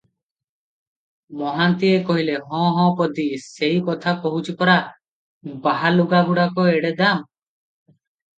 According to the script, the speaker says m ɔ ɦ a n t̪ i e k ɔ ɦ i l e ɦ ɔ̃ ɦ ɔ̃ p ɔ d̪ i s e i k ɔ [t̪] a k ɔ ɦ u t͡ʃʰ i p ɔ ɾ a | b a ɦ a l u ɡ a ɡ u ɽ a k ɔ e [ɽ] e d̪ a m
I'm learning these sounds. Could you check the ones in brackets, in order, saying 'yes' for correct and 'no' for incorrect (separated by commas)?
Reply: no, yes